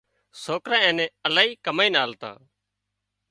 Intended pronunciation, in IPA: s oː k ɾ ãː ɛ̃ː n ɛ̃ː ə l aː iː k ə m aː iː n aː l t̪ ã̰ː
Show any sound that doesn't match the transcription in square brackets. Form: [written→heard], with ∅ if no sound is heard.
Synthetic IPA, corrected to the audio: s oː k ɾ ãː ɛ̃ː n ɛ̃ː ə l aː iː k ə m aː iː n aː l t̪ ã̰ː